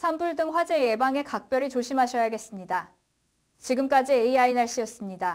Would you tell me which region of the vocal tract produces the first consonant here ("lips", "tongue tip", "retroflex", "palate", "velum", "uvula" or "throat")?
tongue tip